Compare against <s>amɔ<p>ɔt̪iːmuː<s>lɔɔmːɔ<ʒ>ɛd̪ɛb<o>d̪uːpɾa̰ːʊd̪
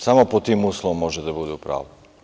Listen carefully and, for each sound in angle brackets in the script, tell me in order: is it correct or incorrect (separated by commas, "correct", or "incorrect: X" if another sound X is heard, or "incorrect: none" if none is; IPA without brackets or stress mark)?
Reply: correct, correct, correct, correct, incorrect: u